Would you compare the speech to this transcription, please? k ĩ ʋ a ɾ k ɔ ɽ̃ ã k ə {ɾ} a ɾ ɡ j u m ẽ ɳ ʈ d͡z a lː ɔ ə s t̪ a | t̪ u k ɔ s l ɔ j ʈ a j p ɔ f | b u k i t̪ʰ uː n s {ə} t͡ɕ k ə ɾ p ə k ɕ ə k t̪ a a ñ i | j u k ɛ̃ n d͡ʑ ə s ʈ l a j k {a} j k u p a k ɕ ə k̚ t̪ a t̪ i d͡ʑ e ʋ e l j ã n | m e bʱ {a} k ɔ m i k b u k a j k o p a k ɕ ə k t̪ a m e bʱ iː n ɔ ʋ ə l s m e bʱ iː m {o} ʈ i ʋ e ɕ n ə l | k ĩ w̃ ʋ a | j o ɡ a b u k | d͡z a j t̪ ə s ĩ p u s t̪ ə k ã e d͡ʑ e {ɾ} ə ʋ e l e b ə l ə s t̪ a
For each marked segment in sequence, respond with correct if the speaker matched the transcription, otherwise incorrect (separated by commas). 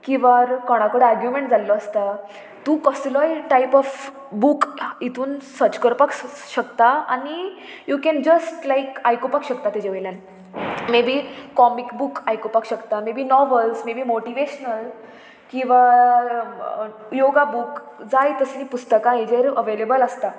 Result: incorrect, correct, correct, incorrect, correct, correct